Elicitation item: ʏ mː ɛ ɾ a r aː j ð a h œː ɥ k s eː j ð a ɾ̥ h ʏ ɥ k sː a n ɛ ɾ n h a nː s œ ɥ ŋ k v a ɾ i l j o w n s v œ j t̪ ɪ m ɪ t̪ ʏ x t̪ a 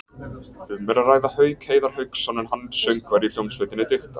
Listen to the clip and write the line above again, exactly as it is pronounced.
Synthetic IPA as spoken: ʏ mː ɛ ɾ a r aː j ð a h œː ɥ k h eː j ð a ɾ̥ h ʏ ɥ k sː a n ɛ n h a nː s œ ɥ ŋ k v a ɾ i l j o w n s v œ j t̪ ɪ n ɪ t̪ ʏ x t̪ a